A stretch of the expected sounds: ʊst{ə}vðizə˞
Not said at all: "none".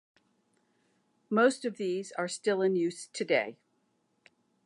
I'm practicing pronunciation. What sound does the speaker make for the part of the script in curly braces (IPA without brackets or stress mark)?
ʌ